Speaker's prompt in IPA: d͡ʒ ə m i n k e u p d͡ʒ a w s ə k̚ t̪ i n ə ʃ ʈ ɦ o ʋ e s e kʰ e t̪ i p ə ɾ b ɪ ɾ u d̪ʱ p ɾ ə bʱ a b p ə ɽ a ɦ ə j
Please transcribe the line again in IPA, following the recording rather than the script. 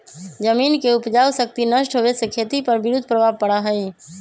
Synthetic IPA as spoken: d͡ʒ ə m i n k e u p d͡ʒ a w s ə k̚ t̪ i n ə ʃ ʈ ɦ o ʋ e s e kʰ e t̪ i p ə ɾ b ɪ ɾ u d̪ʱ p ɾ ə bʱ a b p ə ɽ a ɦ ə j